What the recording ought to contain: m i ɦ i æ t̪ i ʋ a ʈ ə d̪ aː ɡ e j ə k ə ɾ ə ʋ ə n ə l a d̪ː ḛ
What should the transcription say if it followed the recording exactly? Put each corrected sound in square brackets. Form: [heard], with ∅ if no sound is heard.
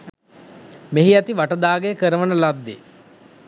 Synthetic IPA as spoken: m [e] ɦ i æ t̪ i ʋ a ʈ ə d̪ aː ɡ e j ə k ə ɾ ə ʋ ə n ə l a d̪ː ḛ